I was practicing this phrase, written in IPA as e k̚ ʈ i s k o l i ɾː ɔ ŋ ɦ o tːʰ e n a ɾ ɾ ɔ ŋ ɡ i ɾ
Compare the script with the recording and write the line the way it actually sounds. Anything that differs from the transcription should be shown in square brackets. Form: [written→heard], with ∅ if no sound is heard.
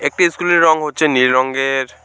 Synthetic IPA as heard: e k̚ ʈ i s k [o→u] l [i→e] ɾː ɔ ŋ ɦ o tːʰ e n [a→i] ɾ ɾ ɔ ŋ ɡ [i→e] ɾ